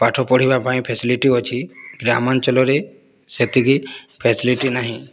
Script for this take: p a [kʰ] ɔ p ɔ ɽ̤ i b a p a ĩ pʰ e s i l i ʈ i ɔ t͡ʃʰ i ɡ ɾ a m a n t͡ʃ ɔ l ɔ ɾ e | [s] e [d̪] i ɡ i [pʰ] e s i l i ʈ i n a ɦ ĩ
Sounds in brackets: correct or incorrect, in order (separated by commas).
incorrect, correct, incorrect, correct